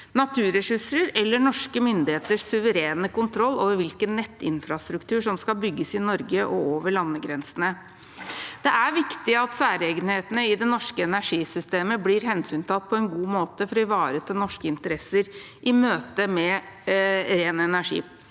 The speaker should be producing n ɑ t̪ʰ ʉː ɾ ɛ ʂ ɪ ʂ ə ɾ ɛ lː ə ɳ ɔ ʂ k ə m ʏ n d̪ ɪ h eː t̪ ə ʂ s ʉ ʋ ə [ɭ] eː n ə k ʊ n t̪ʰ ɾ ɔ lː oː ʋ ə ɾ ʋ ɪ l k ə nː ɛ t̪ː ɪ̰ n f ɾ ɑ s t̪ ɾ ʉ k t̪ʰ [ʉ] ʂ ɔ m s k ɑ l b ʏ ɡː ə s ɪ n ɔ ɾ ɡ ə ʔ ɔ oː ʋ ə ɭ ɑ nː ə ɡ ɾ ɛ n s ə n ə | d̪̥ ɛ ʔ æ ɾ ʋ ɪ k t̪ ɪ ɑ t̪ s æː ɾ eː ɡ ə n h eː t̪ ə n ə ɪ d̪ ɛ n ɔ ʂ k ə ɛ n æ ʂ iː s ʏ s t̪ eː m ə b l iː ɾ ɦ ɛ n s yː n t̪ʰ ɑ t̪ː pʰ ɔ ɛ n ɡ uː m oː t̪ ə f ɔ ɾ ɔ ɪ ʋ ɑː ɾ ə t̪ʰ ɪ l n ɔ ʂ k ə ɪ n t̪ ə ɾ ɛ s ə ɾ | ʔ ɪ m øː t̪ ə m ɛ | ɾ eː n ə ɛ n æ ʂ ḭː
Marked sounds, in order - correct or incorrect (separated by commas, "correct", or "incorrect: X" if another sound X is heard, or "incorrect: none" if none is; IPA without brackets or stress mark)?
incorrect: ɾ, incorrect: ʉː